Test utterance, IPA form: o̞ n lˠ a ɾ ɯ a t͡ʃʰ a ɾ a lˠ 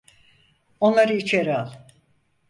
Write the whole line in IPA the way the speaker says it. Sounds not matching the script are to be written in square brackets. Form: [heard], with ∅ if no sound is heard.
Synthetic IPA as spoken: o̞ n lˠ a ɾ ɯ [i] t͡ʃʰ [e] ɾ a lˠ